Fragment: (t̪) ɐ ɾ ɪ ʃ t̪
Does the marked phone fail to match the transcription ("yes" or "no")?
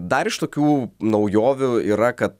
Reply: yes